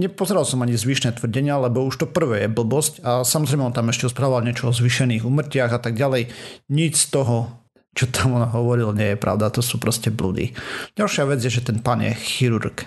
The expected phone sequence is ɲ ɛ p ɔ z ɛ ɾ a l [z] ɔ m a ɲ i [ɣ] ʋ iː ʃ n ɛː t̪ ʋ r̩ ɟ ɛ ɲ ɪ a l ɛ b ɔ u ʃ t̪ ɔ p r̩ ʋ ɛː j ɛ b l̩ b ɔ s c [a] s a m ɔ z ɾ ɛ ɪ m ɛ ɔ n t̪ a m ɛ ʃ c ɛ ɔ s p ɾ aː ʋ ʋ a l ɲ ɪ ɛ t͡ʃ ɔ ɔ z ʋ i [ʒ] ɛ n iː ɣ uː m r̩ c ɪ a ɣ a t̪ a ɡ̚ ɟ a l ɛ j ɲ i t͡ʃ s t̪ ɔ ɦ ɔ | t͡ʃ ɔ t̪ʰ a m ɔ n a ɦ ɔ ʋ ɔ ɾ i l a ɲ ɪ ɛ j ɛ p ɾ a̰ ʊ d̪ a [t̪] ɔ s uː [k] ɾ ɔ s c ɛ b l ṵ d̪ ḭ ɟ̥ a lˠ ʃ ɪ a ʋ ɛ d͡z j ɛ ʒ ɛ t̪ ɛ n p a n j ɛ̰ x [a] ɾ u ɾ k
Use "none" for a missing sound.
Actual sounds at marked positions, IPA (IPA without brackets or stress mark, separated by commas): s, z, a, ʃ, t̪, p, i